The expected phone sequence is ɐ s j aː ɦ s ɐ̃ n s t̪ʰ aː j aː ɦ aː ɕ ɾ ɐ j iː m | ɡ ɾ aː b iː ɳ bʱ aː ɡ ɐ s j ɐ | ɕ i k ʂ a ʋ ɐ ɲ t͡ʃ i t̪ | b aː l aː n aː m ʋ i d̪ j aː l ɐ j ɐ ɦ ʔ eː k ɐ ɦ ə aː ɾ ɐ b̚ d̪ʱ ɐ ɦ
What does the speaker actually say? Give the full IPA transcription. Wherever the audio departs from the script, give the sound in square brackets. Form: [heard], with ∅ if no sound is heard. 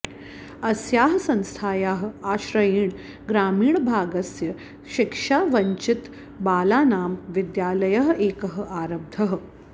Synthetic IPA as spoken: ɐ s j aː ɦ s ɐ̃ n s t̪ʰ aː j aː ɦ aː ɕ ɾ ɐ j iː [ɳ] | ɡ ɾ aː [m] iː ɳ bʱ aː ɡ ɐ s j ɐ | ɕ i k ʂ a ʋ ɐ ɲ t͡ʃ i t̪ | b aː l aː n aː m ʋ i d̪ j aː l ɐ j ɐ ɦ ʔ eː k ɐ ɦ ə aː ɾ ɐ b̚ d̪ʱ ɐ ɦ